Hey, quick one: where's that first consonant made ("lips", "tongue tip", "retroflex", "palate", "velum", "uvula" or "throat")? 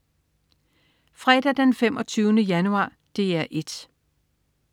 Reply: lips